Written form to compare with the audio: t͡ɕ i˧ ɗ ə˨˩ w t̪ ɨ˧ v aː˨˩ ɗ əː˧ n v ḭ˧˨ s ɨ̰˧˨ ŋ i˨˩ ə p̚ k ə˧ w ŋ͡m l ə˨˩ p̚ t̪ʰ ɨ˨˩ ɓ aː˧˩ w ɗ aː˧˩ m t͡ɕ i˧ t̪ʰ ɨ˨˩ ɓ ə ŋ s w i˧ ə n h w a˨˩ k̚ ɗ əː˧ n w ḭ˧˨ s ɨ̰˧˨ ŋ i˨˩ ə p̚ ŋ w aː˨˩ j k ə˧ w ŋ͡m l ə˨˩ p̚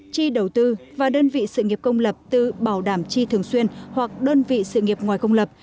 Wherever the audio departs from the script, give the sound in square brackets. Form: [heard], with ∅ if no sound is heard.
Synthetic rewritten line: t͡ɕ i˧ ɗ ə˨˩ w t̪ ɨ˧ v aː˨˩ ɗ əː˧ n v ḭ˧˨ s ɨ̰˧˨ ŋ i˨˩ ə p̚ k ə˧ w ŋ͡m l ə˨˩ p̚ [t̪] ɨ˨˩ ɓ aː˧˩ w ɗ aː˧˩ m t͡ɕ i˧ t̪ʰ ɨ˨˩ [∅] ə ŋ s w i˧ ə n h w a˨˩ k̚ ɗ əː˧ n [v] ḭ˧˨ s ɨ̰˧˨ ŋ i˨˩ ə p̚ ŋ w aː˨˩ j k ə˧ w ŋ͡m l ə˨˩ p̚